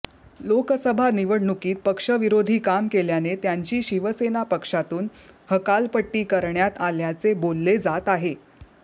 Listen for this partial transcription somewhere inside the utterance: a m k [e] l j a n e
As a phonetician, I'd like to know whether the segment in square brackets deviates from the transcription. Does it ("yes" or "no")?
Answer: no